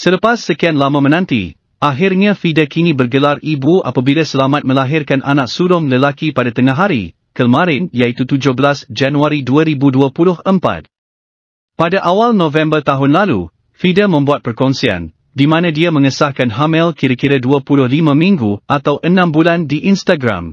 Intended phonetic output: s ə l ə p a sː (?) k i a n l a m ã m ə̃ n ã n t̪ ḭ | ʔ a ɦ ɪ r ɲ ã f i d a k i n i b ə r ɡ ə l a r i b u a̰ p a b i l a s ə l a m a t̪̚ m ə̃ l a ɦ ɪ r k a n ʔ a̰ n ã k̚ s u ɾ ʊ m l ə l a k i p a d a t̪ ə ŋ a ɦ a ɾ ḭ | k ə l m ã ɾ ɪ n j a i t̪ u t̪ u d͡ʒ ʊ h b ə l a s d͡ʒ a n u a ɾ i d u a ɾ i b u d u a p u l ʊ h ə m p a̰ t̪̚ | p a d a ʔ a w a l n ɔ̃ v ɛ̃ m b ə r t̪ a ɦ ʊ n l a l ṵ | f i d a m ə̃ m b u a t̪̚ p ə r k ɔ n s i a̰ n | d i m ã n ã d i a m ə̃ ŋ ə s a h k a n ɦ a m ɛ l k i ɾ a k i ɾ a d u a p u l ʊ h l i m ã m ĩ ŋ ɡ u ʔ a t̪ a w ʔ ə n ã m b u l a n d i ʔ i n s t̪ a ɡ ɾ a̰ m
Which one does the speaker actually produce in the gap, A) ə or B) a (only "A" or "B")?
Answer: A